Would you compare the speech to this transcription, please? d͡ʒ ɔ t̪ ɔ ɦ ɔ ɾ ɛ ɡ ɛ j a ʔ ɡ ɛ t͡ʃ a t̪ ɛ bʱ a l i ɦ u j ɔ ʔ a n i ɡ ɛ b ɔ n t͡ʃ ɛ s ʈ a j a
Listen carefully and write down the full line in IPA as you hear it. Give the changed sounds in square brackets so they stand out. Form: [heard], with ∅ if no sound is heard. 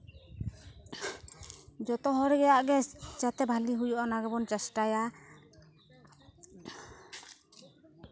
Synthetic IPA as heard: d͡ʒ ɔ t̪ ɔ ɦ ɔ ɾ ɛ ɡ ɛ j a ʔ ɡ ɛ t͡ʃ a t̪ ɛ bʱ a l i ɦ u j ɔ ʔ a n [a] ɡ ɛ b ɔ n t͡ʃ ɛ s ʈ a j a